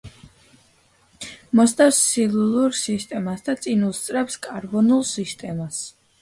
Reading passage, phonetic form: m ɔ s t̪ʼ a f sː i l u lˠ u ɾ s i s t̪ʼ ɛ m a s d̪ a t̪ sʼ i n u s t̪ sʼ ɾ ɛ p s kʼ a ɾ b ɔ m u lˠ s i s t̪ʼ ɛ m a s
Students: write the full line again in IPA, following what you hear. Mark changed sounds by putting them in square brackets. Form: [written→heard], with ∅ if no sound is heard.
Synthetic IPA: m ɔ s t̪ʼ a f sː i l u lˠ u ɾ s i s t̪ʼ ɛ m a s d̪ a t̪ sʼ i n u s t̪ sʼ ɾ ɛ p s kʼ a ɾ b ɔ [m→n] u lˠ s i s t̪ʼ ɛ m a s

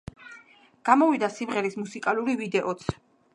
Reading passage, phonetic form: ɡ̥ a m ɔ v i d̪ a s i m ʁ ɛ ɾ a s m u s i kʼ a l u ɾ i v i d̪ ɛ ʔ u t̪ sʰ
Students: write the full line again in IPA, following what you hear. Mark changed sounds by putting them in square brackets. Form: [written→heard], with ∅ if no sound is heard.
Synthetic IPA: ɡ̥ a m ɔ v i d̪ a s i m ʁ ɛ ɾ [a→i] s m u s i kʼ a l u ɾ i v i d̪ ɛ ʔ [u→ɔ] t̪ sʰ

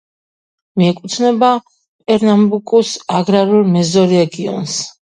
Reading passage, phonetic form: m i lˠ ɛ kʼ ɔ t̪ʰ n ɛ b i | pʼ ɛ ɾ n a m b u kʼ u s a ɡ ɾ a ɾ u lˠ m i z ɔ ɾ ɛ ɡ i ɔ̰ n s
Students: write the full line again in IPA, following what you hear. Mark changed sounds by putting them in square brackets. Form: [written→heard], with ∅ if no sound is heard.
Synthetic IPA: m i [lˠ→∅] ɛ kʼ [ɔ→u] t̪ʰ n ɛ b [i→a] | pʼ ɛ ɾ n a m b u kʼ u s a ɡ ɾ a ɾ u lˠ m [i→ɛ] z ɔ ɾ ɛ ɡ i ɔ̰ n s

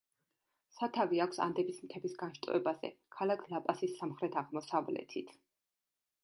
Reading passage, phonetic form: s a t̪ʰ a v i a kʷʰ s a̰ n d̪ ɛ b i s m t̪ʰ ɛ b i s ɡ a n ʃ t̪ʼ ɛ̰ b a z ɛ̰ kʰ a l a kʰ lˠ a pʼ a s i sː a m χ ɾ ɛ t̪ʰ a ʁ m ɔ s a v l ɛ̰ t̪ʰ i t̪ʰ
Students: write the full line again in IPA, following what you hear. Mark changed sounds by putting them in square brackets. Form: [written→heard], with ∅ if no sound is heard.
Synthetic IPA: s a t̪ʰ a v i a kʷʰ s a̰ n d̪ ɛ b i s m t̪ʰ ɛ b i s ɡ a n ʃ t̪ʼ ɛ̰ b a z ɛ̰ kʰ a l a kʰ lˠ a pʼ a s i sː a m χ ɾ ɛ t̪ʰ a ʁ m ɔ s a v l ɛ̰ t̪ʰ i t̪ʰ

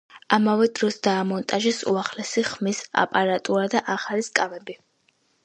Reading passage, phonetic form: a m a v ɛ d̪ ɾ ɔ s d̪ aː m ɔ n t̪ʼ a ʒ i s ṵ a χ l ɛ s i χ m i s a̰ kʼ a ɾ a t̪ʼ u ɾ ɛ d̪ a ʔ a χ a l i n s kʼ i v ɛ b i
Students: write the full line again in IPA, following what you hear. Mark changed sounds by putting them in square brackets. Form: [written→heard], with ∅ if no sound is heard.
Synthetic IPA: a m a v ɛ d̪ ɾ ɔ s d̪ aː m ɔ n t̪ʼ a ʒ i s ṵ a χ l ɛ s i χ m i s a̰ [kʼ→pʼ] a ɾ a t̪ʼ u ɾ [ɛ→a] d̪ a ʔ a χ a l i [n→∅] s kʼ [i→a] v ɛ b i

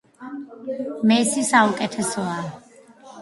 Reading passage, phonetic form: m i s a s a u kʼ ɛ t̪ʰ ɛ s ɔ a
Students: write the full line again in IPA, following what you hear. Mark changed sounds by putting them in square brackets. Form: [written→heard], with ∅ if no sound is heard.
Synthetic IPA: m [i→ɛ] s [a→i] s a u kʼ ɛ t̪ʰ ɛ s ɔ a

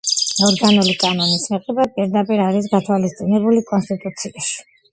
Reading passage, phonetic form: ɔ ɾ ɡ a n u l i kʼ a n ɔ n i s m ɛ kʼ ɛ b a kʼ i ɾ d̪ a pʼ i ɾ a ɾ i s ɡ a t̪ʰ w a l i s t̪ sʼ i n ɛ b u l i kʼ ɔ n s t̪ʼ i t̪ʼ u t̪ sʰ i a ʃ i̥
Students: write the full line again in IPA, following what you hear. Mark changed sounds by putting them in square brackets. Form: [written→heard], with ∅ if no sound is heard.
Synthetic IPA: ɔ ɾ ɡ a n u l i kʼ a n ɔ n i s m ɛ [kʼ→qʼ] ɛ b a [kʼ→pʼ] i ɾ d̪ a pʼ i ɾ a ɾ i s ɡ a t̪ʰ w a l i s t̪ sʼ i n ɛ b u l i kʼ ɔ n s t̪ʼ i t̪ʼ u t̪ sʰ i a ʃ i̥

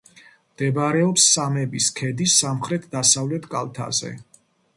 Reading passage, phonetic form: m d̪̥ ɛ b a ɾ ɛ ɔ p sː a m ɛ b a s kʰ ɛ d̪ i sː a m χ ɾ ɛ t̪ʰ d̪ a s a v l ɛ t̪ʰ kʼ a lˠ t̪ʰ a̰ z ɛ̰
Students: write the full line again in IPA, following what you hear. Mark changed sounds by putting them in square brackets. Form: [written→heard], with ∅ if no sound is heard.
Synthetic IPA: m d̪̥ ɛ b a ɾ ɛ ɔ p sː a m ɛ b [a→i] s kʰ ɛ d̪ i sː a m χ ɾ ɛ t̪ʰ d̪ a s a v l ɛ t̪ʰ kʼ a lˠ t̪ʰ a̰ z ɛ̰

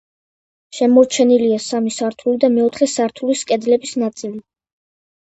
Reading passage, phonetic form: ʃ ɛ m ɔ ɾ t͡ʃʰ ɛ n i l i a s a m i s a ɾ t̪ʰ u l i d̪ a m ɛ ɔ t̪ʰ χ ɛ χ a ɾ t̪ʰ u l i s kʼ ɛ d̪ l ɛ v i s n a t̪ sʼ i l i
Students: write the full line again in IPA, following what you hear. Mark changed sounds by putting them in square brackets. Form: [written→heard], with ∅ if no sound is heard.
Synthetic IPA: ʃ ɛ m ɔ ɾ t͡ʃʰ ɛ n i l i a s a m i s a ɾ t̪ʰ u l i d̪ a m ɛ ɔ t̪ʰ χ ɛ [χ→s] a ɾ t̪ʰ u l i s kʼ ɛ d̪ l ɛ [v→b] i s n a t̪ sʼ i l i

